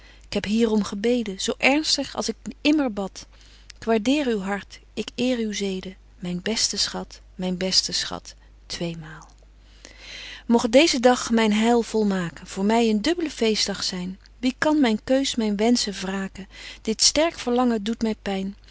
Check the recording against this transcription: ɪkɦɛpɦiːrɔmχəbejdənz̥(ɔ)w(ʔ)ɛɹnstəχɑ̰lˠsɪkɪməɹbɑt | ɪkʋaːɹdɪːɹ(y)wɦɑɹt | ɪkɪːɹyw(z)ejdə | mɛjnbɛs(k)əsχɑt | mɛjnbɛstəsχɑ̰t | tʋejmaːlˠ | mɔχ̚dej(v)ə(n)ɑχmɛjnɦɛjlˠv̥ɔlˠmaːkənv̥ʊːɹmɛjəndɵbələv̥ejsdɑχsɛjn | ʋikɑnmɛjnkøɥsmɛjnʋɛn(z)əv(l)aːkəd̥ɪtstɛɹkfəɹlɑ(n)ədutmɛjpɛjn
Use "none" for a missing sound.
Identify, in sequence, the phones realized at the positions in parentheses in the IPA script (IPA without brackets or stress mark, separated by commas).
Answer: o, ʔ, y, z, t, z, d, s, r, ŋ